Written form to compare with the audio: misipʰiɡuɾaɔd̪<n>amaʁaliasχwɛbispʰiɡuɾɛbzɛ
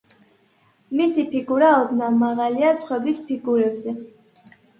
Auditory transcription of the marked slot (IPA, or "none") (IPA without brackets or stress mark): n